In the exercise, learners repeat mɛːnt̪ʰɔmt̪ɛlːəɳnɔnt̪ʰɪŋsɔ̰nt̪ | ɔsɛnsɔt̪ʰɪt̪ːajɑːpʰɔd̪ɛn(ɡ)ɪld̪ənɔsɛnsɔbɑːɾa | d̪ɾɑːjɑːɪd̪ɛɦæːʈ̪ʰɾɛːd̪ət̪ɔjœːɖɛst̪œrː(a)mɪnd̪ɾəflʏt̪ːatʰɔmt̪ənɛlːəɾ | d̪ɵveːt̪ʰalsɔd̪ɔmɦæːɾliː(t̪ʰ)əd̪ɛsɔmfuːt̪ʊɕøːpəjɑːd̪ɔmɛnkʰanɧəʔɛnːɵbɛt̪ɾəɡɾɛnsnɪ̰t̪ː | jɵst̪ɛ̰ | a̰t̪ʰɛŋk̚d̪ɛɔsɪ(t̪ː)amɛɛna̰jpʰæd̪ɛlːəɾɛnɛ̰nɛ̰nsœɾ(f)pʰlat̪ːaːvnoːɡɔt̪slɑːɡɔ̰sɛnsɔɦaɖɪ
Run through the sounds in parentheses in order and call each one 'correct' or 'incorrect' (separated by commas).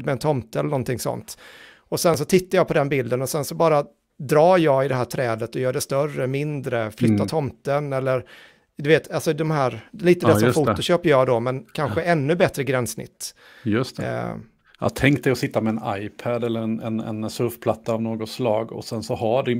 incorrect, incorrect, incorrect, correct, correct